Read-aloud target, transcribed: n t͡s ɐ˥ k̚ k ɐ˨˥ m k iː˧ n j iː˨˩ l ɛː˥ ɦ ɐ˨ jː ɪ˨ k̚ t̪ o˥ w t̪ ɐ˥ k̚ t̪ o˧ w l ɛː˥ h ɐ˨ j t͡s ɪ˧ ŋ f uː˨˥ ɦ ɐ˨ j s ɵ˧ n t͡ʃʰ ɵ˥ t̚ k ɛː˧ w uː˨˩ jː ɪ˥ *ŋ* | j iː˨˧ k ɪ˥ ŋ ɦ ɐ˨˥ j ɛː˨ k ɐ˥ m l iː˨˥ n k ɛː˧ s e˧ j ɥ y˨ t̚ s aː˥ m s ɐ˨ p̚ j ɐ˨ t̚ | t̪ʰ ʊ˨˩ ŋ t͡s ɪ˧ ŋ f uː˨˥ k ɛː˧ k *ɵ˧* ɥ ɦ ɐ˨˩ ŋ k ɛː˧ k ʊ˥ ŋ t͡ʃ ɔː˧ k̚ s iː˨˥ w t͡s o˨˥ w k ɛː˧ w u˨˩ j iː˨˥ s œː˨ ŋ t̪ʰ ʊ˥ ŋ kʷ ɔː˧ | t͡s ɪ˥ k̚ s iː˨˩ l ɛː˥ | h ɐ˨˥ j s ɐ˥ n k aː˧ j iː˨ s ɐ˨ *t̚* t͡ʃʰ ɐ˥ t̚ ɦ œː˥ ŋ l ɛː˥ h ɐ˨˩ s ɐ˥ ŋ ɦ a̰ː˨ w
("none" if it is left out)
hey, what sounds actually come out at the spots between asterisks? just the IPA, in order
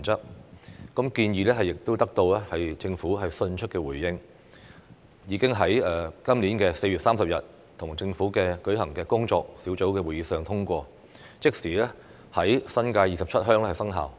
ŋ, ɵ˨˥, p̚

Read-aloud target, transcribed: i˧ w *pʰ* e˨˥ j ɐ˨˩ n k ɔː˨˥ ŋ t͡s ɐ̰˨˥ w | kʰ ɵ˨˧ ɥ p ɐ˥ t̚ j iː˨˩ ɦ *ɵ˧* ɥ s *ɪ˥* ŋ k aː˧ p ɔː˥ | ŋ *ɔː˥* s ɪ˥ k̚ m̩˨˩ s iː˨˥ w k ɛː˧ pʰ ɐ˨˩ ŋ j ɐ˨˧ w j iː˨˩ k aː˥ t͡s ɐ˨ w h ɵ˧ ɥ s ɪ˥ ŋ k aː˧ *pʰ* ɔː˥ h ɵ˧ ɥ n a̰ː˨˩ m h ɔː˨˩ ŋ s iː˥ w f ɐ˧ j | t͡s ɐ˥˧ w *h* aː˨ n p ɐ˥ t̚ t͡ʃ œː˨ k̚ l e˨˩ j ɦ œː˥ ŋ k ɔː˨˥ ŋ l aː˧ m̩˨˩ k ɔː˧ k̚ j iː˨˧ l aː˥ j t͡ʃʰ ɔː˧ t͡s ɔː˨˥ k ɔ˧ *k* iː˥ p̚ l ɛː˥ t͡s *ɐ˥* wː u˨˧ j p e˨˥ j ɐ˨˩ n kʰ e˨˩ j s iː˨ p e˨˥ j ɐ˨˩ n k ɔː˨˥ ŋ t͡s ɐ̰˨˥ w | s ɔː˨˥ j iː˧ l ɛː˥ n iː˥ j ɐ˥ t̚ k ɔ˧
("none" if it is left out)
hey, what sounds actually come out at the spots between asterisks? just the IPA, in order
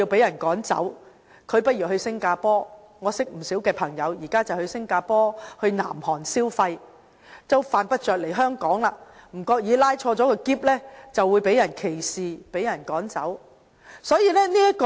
p, ɵ˧, ɪ˥, ɔː˨˧, p, f, k, ɐ˨

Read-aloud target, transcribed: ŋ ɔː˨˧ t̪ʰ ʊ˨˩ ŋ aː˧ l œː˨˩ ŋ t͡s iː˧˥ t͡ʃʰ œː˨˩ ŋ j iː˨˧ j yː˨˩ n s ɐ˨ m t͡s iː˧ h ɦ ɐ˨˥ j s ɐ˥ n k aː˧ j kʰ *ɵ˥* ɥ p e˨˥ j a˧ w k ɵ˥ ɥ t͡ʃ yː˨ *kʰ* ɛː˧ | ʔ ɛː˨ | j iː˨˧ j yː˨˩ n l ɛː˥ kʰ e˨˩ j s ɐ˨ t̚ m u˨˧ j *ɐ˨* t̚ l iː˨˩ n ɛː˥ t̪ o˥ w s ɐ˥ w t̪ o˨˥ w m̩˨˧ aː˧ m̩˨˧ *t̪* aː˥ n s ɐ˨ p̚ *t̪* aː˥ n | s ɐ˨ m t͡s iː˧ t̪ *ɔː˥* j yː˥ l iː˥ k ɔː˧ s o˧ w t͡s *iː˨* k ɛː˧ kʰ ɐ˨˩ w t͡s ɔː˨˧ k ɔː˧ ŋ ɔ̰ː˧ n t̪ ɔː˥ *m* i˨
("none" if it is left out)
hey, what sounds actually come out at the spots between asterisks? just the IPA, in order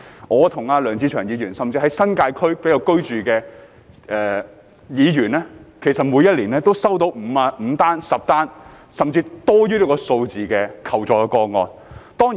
ɵ˥, k, ɐ˥, t̪, t̪, ɔː˥, iː˨, ŋ

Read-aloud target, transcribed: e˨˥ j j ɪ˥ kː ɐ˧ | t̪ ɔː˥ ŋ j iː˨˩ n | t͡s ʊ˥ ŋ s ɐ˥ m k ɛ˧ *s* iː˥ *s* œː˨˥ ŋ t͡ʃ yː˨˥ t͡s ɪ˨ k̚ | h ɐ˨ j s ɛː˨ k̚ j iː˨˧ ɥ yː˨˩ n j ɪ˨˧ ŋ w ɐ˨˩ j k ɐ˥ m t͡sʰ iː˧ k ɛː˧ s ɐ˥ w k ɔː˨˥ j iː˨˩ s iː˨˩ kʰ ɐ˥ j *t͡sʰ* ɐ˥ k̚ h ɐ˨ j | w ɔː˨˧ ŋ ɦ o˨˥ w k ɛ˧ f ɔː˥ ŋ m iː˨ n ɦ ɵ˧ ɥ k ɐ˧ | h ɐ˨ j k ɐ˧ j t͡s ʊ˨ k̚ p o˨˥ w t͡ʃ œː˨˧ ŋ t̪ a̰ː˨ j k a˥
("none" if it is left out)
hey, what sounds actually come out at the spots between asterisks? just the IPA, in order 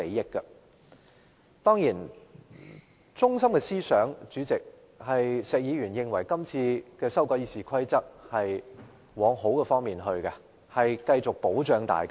s, s, t͡s

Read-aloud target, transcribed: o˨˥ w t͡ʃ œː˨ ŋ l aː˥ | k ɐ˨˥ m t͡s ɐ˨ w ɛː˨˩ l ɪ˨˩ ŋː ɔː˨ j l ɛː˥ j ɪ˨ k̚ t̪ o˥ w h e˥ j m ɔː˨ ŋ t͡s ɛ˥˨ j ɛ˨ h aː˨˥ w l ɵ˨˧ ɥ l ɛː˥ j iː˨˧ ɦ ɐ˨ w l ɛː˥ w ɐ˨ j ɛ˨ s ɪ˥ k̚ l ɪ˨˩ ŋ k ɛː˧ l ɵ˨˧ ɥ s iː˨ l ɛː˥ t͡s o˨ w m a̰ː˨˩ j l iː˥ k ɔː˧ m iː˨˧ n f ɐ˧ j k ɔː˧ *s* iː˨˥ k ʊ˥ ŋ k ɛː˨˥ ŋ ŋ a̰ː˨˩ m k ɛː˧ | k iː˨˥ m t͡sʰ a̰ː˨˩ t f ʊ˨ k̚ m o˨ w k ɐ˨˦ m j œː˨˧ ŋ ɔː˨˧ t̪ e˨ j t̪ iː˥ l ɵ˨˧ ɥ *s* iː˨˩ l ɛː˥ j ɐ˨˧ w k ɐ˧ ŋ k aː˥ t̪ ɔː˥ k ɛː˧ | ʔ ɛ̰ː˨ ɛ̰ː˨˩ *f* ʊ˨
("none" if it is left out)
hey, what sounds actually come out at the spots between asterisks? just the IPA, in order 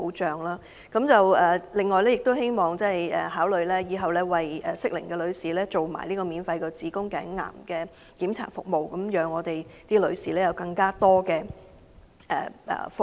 t͡s, s, f

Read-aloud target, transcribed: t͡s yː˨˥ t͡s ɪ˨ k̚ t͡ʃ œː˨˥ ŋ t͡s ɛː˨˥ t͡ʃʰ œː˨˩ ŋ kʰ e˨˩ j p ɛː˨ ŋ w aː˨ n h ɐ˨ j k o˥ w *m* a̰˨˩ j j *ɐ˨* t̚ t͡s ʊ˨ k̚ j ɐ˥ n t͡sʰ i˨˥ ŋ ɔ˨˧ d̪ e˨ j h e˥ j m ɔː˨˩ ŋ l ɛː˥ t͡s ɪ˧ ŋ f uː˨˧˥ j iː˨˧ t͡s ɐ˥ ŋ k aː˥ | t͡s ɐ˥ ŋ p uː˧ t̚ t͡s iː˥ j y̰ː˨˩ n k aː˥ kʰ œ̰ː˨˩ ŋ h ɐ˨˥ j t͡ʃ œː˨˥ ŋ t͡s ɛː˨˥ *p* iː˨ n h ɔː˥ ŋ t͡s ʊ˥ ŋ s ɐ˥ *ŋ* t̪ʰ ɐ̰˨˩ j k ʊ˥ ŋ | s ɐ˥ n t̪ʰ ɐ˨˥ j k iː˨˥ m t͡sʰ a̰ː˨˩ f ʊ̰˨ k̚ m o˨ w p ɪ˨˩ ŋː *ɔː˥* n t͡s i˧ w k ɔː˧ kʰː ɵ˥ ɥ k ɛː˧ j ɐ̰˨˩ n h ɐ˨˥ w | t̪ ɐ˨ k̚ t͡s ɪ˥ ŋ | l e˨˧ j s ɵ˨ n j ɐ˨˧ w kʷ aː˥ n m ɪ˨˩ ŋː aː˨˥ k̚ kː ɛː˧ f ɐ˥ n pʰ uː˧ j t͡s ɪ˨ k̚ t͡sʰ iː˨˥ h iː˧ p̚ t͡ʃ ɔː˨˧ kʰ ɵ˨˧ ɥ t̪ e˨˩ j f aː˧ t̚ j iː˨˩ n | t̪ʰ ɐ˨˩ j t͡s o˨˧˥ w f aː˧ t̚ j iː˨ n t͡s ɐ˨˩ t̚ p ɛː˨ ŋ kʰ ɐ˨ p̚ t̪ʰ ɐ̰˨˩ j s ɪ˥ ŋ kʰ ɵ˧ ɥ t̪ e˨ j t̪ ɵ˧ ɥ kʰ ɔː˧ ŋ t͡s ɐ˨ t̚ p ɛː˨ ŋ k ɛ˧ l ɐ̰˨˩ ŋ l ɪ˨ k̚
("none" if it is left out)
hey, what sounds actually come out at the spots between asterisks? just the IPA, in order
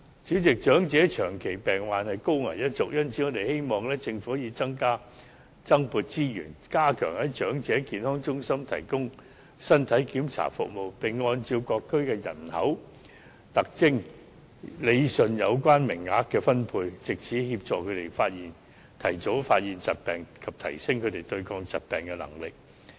ŋ, ɐ˥, k, m, ɔː˧

